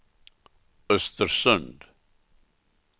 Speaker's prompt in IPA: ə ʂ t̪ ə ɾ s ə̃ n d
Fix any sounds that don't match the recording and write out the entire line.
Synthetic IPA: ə s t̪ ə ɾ s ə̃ n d

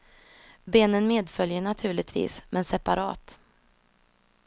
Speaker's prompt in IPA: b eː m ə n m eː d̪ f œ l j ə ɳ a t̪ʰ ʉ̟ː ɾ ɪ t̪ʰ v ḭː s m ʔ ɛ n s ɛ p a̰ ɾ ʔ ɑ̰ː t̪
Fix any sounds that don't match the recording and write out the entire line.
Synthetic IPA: b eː n ə n m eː d̪ f œ l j ə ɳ a t̪ʰ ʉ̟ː ɭ ɪ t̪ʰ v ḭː s m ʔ ɛ n s ɛ p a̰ ɾ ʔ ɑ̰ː t̪

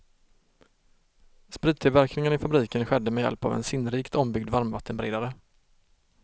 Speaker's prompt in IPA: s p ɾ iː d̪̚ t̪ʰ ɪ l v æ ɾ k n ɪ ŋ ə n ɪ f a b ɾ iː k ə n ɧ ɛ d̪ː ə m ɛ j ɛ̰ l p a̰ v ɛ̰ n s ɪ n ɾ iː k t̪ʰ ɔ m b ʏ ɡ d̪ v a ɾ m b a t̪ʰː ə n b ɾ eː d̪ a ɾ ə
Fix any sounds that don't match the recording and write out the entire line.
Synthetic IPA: s p ɾ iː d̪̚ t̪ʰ ɪ l v æ ɾ k n ɪ ŋ ə n ɪ f a b ɾ iː k ə n ɧ ɛ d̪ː ə m ɛ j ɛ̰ l p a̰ v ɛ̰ n s ɪ n ɾ iː k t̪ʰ ɔ m b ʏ ɡ d̪ v a ɾ m v a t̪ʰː ə n b ɾ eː d̪ a ɾ ə

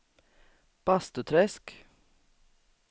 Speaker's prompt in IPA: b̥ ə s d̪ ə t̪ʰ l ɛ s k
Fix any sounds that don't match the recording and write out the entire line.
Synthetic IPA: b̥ ɑ s t̪ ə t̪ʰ ɾ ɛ s k

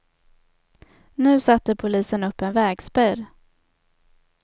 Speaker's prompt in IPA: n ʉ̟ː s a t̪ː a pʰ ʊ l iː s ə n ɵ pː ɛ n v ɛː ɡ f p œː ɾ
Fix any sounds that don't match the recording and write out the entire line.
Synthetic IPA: n ʉ̟ː s a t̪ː ə pʰ ʊ l iː s ə n ɵ pː ɛ n v ɛː ɡ s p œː ɾ

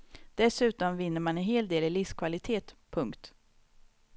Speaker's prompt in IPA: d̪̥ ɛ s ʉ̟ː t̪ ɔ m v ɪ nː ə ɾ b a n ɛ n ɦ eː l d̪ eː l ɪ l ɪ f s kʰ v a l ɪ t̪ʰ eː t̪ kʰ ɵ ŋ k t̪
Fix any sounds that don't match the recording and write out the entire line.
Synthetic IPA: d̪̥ ɛ s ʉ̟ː t̪ ɔ m v ɪ nː ə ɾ m a n ɛ n ɦ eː l d̪ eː l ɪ l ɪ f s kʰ v a l ɪ t̪ʰ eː t̪ pʰ ɵ ŋ k t̪

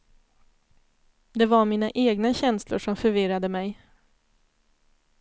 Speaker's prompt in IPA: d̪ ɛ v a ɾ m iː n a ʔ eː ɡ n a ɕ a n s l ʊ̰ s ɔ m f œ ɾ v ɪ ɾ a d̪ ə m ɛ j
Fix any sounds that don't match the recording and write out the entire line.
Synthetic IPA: d̪ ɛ v a ɾ m iː n a ʔ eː ɡ n a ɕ ɛ n s l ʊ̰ ʂ ɔ m f œ ɾ v ɪ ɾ a d̪ ə m ɛ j

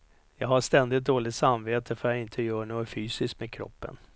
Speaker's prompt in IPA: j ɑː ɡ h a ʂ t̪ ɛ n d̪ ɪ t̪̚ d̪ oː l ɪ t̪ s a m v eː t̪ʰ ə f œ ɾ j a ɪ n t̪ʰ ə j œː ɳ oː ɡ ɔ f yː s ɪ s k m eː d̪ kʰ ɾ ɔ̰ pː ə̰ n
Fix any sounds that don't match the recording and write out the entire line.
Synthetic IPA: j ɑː ɡ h a ʂ t̪ ɛ n d̪ ɪ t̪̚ d̪ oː l ɪ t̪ s a m v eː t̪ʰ ə f œ ɾ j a ɪ n t̪ʰ ə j œː ɳ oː ɡ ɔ f yː s ɪ s k m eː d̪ kʰ ɾ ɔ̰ pː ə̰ n

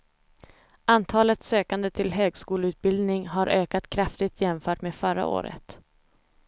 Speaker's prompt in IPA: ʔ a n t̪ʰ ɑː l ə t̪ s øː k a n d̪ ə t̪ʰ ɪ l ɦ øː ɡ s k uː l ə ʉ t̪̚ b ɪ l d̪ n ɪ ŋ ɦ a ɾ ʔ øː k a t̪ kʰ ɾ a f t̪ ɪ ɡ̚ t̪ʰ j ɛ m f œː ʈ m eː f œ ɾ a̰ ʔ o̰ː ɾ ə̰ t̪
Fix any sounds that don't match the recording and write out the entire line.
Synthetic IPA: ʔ a n t̪ʰ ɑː l ə t̪ s øː k a n d̪ ə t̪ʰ ɪ l ɦ øː ɡ s k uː l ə ʉ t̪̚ b ɪ l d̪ n ɪ ŋ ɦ a ɾ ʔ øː k a t̪ kʰ ɾ a f t̪ ɪ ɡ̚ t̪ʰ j ɛ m f œː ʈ m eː f œ ɾ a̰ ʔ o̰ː ɾ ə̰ t̪

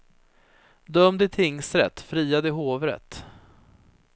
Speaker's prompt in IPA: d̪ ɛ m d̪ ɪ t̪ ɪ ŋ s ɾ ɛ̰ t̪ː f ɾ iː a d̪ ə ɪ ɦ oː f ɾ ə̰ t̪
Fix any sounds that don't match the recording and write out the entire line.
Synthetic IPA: d̪ œ m d̪ ɪ t̪ʰ ɪ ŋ s ɾ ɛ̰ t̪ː f ɾ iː a d̪ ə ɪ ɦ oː v ɾ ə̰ t̪

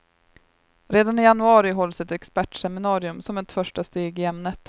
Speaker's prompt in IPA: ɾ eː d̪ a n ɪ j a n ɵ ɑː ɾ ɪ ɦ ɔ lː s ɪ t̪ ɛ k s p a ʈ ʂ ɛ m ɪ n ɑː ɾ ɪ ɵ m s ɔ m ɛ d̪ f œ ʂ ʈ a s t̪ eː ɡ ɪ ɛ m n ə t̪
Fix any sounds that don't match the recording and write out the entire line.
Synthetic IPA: ɾ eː d̪ a n ɪ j a n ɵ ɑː ɾ ɪ ɦ ɔ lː s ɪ t̪ ɛ k s p æ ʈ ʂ ɛ m ɪ n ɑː ɾ ɪ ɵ m s ɔ m ɛ t̪ f œ ʂ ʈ a s t̪ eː ɡ ɪ ɛ m n ə t̪

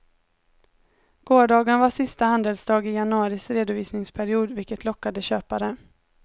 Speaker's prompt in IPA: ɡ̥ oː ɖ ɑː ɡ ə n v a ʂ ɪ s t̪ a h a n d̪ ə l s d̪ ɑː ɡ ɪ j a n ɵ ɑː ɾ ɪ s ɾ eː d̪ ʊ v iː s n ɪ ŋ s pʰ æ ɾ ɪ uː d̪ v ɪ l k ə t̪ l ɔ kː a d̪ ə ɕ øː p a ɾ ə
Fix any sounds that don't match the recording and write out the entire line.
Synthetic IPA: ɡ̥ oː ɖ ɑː ɡ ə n v a ʂ ɪ s t̪ a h a n d̪ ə l s d̪ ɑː ɡ ɪ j a n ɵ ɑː ɾ ɪ s ɾ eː d̪ ʊ v iː s n ɪ ŋ s pʰ æ ɾ ɪ uː d̪ v ɪ l k ə t̪ l ɔ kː a d̪ ə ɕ øː p a ɾ ə

